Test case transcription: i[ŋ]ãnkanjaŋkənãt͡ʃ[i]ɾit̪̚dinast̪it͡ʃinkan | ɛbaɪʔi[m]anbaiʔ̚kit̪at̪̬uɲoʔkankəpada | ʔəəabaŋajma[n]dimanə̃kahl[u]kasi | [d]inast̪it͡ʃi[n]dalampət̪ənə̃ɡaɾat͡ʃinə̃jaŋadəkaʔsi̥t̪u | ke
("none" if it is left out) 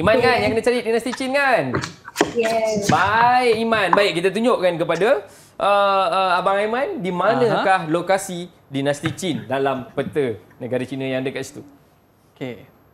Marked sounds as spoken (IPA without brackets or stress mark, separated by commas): m, a, m, n, o, d, n